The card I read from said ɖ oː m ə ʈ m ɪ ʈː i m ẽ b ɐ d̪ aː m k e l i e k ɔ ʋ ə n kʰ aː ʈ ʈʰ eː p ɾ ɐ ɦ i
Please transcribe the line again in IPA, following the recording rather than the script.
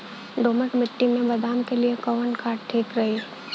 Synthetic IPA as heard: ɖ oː m ə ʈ m ɪ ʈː i m ẽ b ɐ d̪ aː m k e l i e k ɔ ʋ ə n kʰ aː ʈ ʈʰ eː k ɾ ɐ ɦ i